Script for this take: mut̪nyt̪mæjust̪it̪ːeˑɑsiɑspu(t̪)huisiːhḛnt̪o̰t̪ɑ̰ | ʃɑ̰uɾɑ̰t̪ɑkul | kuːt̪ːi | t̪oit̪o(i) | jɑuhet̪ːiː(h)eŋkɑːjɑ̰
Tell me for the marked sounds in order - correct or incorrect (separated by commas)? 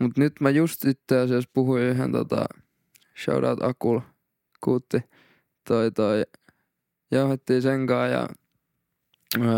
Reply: incorrect, correct, incorrect